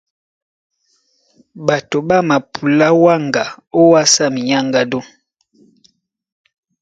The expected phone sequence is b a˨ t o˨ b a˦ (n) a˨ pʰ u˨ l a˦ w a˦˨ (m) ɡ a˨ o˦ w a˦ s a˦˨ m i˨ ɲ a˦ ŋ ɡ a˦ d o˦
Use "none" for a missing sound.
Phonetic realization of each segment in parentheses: m, ŋ

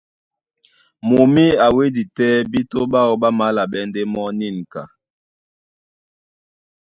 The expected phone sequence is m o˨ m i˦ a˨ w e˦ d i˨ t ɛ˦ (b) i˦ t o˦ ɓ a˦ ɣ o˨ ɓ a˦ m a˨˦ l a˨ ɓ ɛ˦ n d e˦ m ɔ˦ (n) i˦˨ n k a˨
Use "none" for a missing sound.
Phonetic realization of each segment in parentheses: b, n

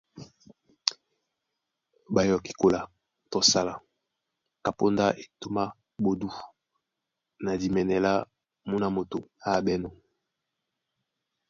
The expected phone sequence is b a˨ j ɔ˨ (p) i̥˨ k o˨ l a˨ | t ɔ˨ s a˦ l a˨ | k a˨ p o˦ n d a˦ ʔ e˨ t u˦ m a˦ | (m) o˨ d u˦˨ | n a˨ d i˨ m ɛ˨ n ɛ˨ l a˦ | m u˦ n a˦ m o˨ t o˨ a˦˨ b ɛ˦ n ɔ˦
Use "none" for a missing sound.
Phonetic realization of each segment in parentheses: k, b

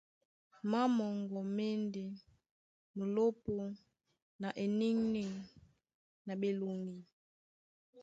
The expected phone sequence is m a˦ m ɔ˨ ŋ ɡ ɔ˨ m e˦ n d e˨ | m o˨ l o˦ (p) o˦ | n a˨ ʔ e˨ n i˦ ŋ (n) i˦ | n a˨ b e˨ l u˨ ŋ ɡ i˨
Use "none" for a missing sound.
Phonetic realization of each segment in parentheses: p, n

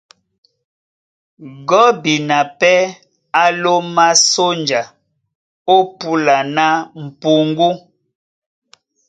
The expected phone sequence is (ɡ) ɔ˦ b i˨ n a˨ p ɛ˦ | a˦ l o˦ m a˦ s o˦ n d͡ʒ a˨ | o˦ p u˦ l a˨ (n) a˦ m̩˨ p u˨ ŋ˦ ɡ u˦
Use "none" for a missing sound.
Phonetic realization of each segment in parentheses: ɡ, n

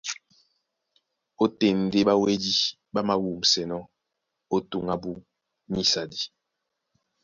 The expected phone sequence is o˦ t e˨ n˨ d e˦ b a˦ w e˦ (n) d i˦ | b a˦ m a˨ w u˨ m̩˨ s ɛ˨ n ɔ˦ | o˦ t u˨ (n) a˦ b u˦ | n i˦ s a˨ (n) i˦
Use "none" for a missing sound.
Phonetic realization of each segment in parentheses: none, ŋ, d

